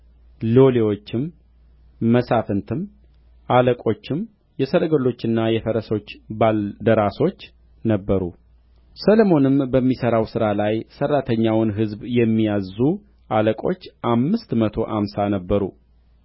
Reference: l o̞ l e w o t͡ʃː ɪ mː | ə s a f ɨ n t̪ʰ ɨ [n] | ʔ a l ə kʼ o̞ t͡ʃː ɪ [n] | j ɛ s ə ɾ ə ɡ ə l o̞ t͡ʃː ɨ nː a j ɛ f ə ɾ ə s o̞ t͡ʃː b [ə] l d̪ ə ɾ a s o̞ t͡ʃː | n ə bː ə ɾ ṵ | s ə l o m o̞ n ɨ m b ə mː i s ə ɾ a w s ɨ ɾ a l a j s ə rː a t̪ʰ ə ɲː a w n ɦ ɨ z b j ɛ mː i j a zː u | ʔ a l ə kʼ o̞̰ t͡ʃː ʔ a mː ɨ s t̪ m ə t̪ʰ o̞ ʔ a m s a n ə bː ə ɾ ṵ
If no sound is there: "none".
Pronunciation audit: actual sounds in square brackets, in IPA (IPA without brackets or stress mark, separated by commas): m, m, a